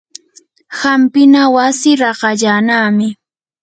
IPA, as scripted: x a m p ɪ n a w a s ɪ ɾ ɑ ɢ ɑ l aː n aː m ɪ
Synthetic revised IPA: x a m p ɪ n a w a s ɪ ɾ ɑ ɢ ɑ ʎ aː n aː m ɪ